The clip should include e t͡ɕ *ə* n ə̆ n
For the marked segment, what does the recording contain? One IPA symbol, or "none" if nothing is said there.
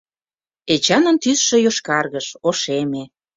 ɑ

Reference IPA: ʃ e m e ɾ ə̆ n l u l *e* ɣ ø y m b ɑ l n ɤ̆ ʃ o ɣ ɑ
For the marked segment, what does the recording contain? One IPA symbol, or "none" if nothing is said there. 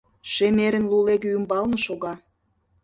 e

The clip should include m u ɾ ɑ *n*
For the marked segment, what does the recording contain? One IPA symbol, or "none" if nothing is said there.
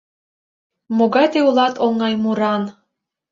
n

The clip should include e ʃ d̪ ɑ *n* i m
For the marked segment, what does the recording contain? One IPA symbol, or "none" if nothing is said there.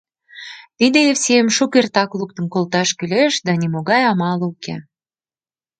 n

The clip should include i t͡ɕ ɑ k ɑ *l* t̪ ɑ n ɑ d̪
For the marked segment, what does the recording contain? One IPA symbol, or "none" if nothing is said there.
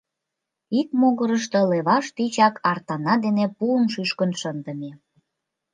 r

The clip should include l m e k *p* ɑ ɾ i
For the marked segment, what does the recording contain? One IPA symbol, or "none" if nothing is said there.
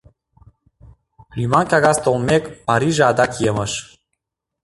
p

